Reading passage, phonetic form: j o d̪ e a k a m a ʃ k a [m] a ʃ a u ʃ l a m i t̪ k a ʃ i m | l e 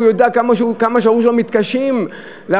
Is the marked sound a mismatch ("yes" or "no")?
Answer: no